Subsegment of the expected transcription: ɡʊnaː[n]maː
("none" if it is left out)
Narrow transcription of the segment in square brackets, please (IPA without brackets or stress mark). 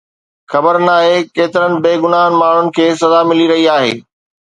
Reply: n